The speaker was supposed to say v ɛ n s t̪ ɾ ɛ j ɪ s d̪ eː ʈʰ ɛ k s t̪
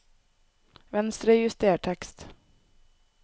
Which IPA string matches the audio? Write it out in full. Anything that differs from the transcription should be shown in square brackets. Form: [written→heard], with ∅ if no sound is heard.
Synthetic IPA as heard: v ɛ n s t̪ ɾ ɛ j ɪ s [d̪→t̪] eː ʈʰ ɛ k s t̪